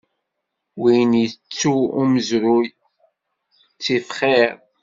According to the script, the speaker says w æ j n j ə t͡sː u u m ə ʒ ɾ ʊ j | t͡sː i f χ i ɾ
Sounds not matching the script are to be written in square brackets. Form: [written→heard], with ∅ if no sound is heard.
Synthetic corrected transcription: w [æ→i] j n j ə t͡sː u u m ə [ʒ→z] ɾ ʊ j | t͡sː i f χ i ɾ